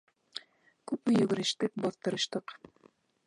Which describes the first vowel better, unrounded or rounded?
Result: rounded